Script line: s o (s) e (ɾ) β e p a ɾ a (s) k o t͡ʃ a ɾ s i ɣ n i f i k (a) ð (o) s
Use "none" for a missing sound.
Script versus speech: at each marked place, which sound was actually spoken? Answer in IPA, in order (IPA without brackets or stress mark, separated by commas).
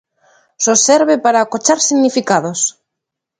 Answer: s, ɾ, none, a, o